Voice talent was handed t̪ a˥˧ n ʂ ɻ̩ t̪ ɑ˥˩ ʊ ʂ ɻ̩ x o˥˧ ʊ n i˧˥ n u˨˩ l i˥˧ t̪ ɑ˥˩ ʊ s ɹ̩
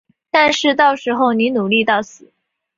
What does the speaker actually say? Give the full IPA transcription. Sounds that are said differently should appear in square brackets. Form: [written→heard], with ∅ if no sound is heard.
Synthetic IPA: t̪ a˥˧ n ʂ ɻ̩ t̪ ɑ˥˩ ʊ ʂ ɻ̩ x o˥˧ ʊ n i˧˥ n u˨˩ l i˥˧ t̪ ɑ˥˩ ʊ s ɹ̩